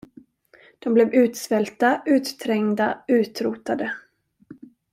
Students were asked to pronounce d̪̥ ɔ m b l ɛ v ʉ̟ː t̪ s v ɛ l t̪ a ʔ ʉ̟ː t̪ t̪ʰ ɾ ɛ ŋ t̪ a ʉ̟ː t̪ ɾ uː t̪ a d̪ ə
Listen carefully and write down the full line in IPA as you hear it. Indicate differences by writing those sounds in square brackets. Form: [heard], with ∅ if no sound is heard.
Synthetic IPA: d̪̥ ɔ m b l ɛ v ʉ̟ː t̪ s v ɛ l t̪ a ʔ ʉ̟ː t̪ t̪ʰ ɾ ɛ ŋ [d̪] a ʉ̟ː t̪ ɾ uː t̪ a d̪ ə